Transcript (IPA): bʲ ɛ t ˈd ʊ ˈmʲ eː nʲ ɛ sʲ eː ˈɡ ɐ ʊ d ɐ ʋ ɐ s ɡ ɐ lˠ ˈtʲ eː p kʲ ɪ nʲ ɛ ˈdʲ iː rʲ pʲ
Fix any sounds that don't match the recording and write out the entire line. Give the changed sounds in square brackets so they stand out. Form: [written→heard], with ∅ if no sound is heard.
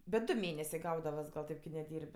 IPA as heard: bʲ ɛ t ˈd ʊ ˈmʲ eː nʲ ɛ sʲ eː ˈɡ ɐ ʊ d ɐ ʋ ɐ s ɡ ɐ lˠ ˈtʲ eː p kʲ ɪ nʲ ɛ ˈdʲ iː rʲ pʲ